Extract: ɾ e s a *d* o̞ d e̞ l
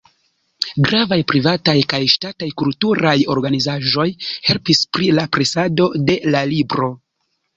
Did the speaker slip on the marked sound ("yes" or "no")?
no